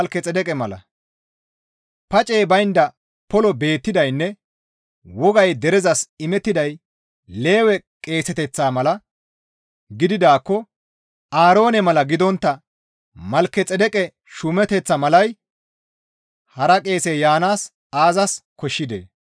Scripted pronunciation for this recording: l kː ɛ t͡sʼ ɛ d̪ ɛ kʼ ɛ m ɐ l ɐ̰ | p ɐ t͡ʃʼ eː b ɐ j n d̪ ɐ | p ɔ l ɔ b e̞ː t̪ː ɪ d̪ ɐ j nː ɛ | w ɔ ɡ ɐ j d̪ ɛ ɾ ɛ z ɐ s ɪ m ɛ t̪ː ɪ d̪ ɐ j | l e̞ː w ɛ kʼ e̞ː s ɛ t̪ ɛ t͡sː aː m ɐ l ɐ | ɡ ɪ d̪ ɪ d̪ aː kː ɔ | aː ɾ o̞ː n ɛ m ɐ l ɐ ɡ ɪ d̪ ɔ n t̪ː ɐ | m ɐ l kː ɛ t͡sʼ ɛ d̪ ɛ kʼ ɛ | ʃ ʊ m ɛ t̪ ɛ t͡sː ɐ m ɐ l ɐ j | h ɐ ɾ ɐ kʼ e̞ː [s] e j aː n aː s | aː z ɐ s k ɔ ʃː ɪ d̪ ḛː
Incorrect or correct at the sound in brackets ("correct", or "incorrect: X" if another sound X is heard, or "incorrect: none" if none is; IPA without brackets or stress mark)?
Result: correct